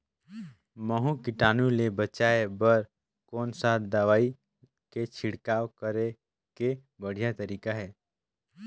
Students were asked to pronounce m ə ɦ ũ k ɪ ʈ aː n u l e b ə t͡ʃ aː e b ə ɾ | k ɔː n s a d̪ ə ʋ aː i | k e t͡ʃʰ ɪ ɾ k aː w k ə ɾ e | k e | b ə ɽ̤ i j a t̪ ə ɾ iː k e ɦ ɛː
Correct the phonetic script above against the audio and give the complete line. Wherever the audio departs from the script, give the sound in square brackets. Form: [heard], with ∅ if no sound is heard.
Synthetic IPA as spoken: m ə ɦ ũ k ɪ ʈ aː n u l e b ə t͡ʃ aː e b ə ɾ | k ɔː n s a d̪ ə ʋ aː i | k e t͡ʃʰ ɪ [ɽ] k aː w k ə ɾ e | k e | b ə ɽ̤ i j a t̪ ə ɾ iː k [a] ɦ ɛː